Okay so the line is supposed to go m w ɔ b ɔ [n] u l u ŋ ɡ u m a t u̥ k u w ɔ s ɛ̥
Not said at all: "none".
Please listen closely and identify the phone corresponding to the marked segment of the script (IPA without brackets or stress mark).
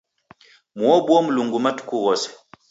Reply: m